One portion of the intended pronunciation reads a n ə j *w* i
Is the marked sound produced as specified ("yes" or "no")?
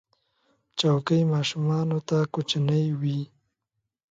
yes